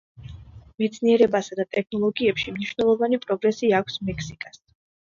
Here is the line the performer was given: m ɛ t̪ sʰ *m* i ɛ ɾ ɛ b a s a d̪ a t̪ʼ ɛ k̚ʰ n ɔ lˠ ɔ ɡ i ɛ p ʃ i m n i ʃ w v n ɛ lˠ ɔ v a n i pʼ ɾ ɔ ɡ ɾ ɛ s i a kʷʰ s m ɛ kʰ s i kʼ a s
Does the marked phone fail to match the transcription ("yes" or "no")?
yes